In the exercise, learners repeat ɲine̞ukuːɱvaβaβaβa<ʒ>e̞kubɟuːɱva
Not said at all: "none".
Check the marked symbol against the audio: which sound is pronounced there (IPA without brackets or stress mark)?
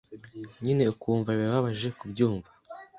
ʒ